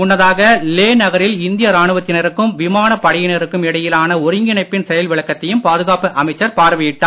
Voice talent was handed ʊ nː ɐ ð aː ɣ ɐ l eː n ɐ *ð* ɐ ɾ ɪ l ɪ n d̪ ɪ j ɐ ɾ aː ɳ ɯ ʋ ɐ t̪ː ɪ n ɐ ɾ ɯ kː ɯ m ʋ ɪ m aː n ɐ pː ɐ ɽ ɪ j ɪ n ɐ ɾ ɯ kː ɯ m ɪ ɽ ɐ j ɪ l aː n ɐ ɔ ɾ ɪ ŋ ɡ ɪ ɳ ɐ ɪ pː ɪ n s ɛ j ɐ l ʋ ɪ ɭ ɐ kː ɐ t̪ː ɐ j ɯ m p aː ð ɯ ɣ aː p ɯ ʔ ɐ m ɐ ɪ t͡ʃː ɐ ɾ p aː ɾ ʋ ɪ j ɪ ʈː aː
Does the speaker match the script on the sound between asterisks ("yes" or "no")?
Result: no